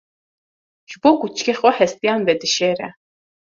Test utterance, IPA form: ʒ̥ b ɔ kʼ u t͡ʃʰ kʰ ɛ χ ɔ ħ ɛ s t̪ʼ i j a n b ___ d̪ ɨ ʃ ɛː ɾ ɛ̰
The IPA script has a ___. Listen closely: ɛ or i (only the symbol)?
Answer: ɛ